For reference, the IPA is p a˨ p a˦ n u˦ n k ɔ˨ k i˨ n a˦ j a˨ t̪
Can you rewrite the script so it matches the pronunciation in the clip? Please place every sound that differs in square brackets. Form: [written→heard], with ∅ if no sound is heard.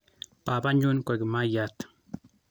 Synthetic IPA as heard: p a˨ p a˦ [n→ɲ] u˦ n k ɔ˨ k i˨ [n→m] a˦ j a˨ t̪